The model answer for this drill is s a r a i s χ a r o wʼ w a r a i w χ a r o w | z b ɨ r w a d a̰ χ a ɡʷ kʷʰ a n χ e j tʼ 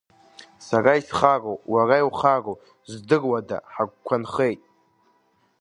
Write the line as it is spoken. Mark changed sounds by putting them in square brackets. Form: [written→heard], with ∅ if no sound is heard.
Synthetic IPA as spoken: s a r a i s χ a r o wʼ w a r a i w χ a r o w | z [b→d] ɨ r w a d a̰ [χ→ħ] a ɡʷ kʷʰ a n χ e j tʼ